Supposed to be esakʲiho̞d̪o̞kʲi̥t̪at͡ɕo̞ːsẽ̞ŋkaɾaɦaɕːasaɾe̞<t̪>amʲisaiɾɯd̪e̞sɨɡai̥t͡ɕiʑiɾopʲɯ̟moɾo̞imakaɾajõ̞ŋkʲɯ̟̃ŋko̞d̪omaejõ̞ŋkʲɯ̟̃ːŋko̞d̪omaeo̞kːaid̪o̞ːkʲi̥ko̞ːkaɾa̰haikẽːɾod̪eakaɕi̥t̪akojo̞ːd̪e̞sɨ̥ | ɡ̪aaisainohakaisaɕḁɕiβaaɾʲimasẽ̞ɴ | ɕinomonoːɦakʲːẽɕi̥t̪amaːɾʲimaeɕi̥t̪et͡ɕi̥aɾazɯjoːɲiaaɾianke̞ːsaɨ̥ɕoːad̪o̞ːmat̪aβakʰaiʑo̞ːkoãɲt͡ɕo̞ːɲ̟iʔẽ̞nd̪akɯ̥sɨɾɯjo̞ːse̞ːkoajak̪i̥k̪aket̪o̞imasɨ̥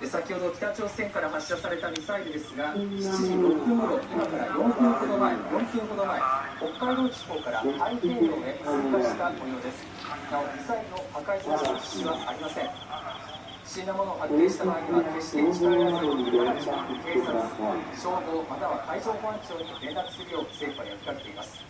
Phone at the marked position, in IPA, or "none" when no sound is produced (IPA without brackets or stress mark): t̪